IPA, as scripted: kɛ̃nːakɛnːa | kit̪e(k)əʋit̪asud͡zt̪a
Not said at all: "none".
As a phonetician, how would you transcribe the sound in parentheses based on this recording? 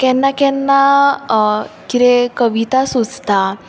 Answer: k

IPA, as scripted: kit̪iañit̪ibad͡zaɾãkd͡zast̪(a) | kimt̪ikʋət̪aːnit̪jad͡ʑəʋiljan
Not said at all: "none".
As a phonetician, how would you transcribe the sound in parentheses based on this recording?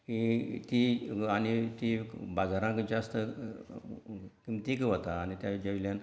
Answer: ə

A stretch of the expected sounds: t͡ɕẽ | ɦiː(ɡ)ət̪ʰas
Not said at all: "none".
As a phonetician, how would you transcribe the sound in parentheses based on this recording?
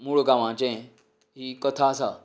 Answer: k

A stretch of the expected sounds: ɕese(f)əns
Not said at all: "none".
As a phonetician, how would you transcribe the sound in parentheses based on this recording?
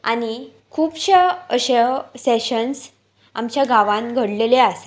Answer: ɕ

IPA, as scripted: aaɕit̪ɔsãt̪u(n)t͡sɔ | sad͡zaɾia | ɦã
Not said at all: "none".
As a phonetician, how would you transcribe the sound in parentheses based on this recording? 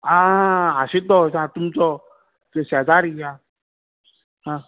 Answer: m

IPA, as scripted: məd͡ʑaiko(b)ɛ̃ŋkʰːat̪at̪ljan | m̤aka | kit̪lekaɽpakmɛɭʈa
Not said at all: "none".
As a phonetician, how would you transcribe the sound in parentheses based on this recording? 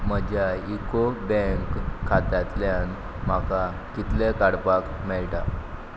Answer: b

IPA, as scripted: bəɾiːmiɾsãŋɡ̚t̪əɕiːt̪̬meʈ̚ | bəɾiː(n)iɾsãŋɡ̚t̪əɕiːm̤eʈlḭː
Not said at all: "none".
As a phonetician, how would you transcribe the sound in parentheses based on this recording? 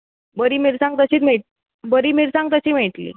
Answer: m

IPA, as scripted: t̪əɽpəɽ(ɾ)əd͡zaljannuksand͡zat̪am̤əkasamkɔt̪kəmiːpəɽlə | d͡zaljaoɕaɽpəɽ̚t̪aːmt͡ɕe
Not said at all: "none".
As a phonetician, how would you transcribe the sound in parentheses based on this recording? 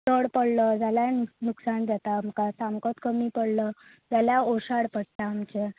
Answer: l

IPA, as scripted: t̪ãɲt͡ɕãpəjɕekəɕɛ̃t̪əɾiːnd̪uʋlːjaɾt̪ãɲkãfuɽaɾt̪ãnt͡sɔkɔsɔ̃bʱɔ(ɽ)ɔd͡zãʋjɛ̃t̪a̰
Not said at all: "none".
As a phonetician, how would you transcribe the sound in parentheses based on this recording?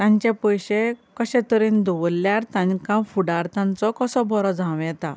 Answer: ɾ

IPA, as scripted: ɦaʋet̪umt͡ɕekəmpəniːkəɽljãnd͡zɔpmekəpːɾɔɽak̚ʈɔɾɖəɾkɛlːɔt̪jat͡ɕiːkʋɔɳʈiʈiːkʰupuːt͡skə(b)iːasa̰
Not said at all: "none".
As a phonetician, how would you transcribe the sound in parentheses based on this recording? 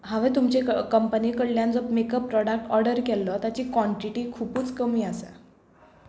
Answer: m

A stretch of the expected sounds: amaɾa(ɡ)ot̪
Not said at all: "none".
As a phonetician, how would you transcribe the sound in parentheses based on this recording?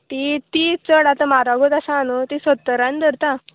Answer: ɡ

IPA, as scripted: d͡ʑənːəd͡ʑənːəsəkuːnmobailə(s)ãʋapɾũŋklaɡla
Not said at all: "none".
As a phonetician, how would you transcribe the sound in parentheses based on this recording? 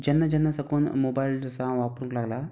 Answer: s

